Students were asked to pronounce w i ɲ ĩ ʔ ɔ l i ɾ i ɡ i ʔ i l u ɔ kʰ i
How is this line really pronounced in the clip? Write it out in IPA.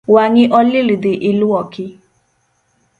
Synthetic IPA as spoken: w a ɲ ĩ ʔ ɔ l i l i d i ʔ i l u ɔ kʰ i